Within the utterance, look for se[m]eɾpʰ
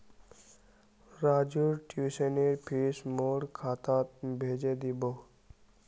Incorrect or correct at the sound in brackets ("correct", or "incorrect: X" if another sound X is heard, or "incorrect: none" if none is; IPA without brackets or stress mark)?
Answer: incorrect: n